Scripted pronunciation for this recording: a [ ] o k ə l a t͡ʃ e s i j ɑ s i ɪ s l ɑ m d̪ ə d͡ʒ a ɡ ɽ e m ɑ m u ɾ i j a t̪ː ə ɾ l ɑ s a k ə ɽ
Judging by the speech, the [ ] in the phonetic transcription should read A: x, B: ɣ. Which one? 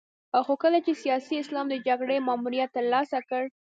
A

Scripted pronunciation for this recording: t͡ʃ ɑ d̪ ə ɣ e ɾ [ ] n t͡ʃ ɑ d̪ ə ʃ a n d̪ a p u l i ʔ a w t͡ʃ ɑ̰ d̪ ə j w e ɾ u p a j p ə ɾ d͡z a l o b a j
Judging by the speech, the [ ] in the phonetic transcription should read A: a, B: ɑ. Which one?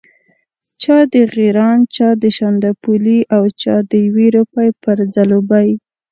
B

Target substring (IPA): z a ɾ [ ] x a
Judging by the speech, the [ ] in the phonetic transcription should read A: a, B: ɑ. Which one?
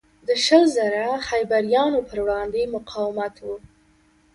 A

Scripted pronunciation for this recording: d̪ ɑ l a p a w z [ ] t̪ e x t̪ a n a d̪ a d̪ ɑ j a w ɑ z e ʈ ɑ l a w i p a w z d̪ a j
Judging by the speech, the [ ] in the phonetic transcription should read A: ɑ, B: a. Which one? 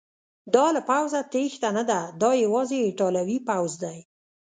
B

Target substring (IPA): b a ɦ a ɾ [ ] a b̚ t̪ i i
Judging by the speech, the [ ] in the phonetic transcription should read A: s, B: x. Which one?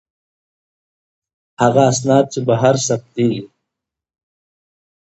A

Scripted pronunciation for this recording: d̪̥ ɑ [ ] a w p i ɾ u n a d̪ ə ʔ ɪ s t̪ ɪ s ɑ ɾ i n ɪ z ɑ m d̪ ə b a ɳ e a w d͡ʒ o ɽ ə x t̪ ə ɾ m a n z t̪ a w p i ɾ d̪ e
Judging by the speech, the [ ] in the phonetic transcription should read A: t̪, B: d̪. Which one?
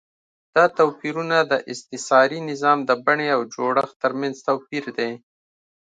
A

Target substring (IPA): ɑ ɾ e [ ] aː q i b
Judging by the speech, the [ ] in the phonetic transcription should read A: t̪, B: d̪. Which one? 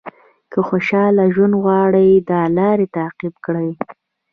A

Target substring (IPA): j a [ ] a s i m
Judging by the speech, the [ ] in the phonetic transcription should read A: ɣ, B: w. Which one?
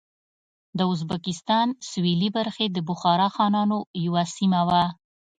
B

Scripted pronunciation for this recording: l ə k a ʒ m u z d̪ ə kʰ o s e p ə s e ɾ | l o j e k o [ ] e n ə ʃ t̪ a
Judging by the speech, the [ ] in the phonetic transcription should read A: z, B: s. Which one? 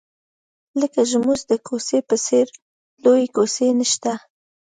B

